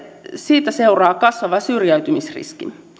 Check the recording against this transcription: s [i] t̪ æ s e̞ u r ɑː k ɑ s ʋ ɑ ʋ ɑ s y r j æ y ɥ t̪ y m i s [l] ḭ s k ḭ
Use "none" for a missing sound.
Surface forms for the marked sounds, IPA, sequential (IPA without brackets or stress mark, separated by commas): iː, r